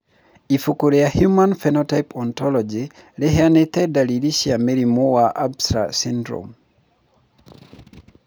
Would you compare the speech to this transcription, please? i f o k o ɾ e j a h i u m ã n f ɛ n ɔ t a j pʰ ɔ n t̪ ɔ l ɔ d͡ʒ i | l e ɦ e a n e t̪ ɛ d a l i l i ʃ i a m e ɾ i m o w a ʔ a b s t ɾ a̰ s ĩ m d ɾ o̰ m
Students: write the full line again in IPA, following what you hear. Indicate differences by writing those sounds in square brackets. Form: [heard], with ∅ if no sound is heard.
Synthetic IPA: i f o k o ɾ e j a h [j] u m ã n f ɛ n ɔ t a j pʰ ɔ n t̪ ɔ l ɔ d͡ʒ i | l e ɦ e a n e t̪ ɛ d a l i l i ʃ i a m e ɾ i m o w a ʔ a b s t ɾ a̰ s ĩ [n] d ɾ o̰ m